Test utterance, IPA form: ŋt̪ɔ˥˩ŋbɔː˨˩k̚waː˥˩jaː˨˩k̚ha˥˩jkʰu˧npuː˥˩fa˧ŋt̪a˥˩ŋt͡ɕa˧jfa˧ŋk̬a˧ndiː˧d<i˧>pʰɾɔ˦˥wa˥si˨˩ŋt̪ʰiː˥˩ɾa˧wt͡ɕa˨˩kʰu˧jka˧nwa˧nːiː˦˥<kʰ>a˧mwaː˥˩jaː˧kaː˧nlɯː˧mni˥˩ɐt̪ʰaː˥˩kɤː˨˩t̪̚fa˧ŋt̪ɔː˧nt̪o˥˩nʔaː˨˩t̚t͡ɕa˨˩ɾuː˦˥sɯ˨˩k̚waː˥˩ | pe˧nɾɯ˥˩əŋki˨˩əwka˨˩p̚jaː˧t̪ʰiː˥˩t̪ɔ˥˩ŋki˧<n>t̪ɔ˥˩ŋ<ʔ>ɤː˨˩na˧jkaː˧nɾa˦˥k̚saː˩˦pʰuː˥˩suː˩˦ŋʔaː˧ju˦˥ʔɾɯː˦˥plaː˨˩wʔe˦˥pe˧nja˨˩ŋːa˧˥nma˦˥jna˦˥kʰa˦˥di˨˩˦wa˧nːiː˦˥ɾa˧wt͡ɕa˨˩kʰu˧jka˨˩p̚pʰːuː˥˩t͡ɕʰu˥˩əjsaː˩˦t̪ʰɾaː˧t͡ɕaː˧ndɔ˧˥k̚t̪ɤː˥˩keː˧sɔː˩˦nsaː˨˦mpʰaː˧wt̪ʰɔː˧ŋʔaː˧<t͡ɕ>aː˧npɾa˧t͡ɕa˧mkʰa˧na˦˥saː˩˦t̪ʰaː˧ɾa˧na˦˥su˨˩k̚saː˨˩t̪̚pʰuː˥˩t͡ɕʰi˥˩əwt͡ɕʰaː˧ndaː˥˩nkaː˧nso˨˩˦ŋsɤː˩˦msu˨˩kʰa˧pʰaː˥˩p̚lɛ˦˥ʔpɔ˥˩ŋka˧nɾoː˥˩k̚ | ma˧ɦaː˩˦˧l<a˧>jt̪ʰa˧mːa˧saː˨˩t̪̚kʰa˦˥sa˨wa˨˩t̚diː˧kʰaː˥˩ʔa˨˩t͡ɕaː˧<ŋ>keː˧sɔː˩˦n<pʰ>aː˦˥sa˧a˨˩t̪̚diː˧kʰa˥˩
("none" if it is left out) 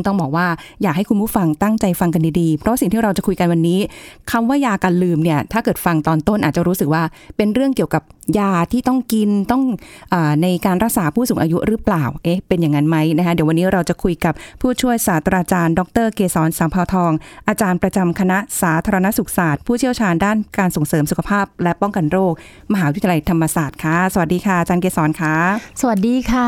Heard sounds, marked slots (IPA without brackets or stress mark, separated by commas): iː˧, kʰ, n, ʔ, t͡ɕ, a˧, n, kʰ